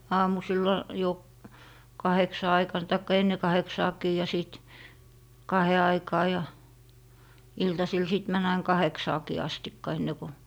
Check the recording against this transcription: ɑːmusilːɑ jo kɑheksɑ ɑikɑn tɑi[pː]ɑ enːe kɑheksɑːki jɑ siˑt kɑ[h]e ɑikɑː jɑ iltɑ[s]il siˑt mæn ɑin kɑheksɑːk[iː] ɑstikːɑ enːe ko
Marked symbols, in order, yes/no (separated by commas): no, yes, yes, yes